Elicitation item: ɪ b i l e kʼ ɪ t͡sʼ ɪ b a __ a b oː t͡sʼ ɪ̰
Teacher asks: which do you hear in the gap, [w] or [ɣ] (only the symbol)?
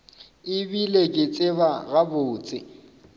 ɣ